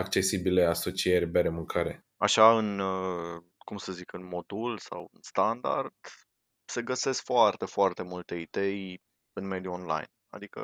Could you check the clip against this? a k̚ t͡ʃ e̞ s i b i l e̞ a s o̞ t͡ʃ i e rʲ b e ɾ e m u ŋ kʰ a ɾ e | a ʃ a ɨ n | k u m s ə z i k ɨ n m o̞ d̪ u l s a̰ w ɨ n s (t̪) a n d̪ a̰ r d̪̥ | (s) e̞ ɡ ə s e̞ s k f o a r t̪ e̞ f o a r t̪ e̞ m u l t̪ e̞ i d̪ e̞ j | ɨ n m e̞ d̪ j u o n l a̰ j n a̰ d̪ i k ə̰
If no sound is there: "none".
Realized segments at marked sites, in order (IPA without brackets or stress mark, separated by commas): t̪, s